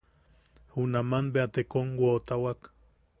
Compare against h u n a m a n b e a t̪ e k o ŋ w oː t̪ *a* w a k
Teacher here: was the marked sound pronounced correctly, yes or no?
yes